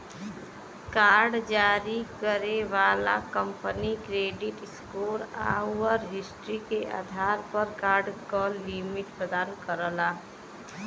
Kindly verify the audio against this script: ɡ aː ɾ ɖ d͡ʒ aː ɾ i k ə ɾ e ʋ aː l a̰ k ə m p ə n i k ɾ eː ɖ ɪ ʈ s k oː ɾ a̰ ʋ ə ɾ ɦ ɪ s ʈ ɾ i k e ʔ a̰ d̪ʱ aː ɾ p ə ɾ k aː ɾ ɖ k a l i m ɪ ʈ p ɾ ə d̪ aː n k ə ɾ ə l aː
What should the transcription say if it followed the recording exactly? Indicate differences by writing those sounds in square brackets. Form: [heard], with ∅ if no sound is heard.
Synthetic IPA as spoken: [k] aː ɾ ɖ d͡ʒ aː ɾ i k ə ɾ e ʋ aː l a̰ k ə m p ə n i k ɾ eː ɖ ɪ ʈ s k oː ɾ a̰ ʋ ə ɾ ɦ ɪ s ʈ ɾ i k e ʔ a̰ d̪ʱ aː ɾ p ə ɾ k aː ɾ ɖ k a l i m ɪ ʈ p ɾ ə d̪ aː n k ə ɾ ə l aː